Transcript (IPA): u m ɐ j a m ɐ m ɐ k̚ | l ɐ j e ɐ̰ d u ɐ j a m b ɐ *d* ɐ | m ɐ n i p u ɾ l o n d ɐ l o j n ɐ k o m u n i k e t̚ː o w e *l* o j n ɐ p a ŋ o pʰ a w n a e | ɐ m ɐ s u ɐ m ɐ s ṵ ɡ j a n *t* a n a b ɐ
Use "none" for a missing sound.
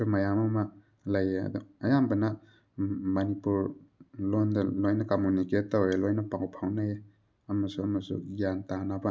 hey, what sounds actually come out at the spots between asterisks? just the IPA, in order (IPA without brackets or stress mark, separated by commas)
n, l, t